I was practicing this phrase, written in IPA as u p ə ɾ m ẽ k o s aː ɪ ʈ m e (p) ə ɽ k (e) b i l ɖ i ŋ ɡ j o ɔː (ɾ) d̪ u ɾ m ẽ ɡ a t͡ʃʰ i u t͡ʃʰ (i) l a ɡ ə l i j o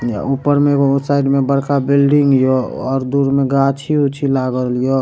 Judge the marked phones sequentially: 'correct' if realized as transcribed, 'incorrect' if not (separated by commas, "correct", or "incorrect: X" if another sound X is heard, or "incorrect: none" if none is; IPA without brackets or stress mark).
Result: incorrect: b, incorrect: a, correct, correct